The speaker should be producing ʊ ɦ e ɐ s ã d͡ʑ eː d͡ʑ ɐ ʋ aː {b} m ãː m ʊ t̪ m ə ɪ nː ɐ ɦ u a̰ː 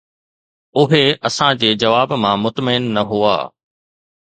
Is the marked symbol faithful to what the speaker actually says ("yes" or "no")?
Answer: yes